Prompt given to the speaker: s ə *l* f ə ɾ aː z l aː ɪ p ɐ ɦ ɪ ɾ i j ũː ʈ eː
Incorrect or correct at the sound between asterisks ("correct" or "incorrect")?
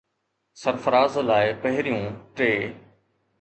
incorrect